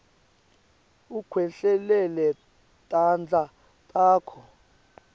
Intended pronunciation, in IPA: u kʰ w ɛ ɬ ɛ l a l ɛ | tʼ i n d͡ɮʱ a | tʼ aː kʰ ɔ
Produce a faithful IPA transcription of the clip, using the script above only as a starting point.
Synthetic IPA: u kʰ w ɛ ɬ ɛ l ɛ l ɛ | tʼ a n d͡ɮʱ a | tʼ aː kʰ ɔ

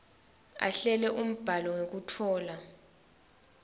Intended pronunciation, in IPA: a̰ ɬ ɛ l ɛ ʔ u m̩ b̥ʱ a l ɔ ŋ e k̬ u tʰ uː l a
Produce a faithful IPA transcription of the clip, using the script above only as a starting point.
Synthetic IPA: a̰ ɬ ɛ l ɛ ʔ u m̩ b̥ʱ a l ɔ ŋ e k̬ u tʰ ɔː l a

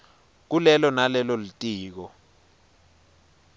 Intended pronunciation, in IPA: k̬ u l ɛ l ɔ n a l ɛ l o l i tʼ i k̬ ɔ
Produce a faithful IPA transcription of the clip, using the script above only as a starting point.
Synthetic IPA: k̬ u l ɛ l ɔ n a l ɛ l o l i tʼ iː k̬ ɔ

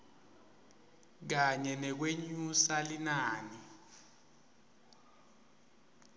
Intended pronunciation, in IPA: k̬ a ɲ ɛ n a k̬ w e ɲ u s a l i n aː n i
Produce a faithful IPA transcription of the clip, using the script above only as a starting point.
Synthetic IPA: k̬ a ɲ ɛ n ɛ k̬ w e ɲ u s a l i n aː n i

